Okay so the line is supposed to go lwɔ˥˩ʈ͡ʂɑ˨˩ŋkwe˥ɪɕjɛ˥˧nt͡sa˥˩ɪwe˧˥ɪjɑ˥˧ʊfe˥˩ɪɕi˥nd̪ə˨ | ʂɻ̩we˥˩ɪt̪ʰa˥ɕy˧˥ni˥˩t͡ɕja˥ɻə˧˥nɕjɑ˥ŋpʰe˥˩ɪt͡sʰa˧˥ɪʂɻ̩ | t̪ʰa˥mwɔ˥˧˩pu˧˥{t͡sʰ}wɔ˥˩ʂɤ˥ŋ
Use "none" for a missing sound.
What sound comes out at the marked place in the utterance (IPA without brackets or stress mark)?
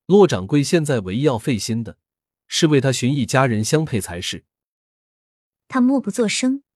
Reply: t͡s